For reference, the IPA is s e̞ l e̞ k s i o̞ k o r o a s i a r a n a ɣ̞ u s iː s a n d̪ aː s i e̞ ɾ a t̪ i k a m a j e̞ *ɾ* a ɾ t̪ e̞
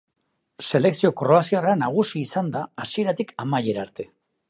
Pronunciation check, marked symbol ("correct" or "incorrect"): correct